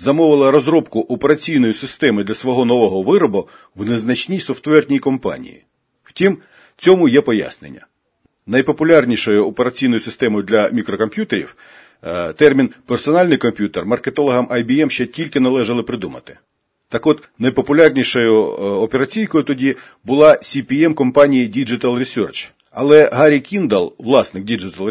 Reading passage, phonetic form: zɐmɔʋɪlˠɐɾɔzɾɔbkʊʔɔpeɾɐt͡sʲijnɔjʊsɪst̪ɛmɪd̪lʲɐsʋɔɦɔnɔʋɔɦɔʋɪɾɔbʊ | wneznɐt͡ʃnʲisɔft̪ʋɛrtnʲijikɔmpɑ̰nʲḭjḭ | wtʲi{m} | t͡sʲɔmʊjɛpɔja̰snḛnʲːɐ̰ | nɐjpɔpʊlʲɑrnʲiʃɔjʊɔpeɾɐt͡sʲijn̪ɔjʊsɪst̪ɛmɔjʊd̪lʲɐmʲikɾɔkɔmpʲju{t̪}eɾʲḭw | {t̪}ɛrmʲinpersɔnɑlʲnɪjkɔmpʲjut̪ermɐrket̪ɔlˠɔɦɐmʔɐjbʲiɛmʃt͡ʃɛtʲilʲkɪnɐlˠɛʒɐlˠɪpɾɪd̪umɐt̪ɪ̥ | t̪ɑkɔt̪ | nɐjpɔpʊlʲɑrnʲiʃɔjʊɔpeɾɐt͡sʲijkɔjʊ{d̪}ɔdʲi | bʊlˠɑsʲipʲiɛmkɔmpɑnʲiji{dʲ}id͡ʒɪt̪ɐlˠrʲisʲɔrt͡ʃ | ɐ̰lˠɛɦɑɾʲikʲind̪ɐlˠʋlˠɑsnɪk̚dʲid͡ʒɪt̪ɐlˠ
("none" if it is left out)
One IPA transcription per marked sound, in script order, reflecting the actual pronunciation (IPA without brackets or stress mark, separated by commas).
m, t̪, t̪, t̪, dʲ